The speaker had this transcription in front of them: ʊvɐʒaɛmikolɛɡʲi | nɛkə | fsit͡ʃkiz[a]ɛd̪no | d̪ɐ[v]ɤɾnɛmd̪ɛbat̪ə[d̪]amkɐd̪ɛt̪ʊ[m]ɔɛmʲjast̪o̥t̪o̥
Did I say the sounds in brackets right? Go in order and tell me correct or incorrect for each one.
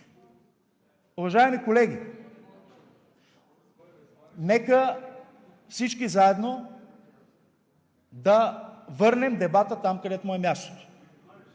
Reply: correct, correct, incorrect, correct

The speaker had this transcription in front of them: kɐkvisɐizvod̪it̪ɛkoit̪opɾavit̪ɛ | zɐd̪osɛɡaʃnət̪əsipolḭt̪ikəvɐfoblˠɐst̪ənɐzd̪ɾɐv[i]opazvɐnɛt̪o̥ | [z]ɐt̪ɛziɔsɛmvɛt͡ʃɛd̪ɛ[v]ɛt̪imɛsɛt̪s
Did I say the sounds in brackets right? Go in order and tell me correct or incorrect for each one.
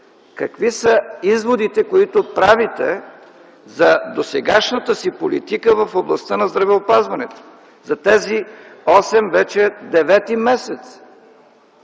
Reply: incorrect, correct, correct

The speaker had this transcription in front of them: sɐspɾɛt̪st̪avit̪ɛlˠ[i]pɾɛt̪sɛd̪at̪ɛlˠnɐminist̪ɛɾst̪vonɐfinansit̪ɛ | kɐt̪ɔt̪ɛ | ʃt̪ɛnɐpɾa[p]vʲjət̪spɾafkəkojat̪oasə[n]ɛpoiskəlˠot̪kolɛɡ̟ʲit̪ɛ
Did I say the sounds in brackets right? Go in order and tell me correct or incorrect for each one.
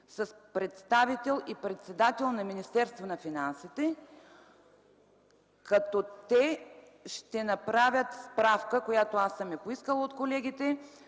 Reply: correct, incorrect, incorrect

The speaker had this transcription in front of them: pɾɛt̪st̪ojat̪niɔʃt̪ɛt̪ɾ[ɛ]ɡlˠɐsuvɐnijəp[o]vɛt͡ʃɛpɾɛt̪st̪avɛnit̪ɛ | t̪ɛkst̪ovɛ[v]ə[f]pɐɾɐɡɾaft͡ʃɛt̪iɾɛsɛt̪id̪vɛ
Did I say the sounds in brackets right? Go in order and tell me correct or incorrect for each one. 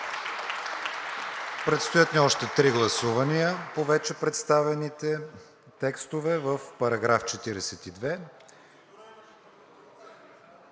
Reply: incorrect, correct, correct, correct

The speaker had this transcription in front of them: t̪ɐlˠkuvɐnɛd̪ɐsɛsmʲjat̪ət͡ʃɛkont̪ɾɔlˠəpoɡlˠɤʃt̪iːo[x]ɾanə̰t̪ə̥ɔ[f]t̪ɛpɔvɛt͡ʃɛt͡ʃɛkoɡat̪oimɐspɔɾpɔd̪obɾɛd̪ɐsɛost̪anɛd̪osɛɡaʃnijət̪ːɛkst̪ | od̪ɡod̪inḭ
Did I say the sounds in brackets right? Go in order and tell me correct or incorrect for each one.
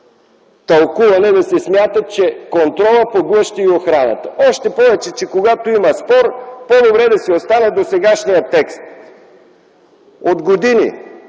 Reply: correct, incorrect

